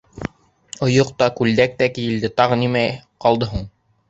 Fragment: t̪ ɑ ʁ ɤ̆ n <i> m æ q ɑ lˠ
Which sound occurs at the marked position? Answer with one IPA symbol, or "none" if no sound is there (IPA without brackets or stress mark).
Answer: i